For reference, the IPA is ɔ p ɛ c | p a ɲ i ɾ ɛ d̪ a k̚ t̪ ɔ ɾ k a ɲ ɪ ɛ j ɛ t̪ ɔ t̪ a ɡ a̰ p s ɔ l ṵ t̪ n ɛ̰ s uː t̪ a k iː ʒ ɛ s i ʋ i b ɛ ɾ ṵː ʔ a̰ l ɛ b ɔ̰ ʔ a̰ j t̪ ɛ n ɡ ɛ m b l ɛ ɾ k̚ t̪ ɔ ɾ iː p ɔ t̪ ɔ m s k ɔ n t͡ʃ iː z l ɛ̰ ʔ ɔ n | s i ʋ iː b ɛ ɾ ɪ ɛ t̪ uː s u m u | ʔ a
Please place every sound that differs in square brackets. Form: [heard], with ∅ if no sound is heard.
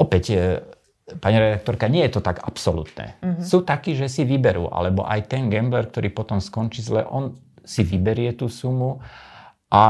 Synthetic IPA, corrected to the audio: ɔ p ɛ c | p a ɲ i ɾ ɛ d̪ a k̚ t̪ ɔ ɾ k a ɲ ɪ ɛ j ɛ t̪ ɔ t̪ a ɡ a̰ p s ɔ l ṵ t̪ n ɛ̰ s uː t̪ a k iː ʒ ɛ s i ʋ i b ɛ ɾ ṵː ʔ a̰ l ɛ b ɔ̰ ʔ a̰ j t̪ ɛ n ɡ ɛ m b l ɛ ɾ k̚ t̪ ɔ ɾ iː p ɔ t̪ ɔ m s k ɔ n t͡ʃ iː z l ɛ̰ ʔ ɔ n | s i ʋ [i] b ɛ ɾ ɪ ɛ t̪ uː s u m u | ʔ a